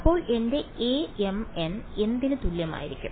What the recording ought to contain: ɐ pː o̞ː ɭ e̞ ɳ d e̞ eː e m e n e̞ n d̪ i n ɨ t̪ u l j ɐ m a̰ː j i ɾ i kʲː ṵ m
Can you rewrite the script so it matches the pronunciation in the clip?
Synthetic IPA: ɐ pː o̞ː ɭ e̞ n d e̞ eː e m e n e̞ n d̪ i n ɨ t̪ u l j ɐ m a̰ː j i ɾ i kʲː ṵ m